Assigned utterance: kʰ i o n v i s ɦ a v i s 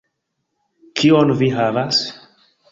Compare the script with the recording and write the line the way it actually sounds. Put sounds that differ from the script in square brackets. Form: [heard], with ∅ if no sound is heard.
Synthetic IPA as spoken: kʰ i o n v i [∅] ɦ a v [a] s